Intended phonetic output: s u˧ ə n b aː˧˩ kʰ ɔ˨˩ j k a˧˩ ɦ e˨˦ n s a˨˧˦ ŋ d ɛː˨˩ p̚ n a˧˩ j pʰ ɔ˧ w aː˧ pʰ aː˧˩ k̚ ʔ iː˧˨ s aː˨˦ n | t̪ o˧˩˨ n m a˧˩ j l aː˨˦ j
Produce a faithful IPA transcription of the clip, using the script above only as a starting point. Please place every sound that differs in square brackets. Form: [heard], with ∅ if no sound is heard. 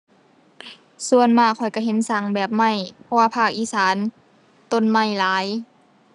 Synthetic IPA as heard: s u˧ ə n [m] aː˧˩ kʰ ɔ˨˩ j k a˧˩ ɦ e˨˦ n s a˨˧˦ ŋ [b] ɛː˨˩ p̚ [m] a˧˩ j pʰ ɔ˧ w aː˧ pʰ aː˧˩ k̚ ʔ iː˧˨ s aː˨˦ n | t̪ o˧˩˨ n m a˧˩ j l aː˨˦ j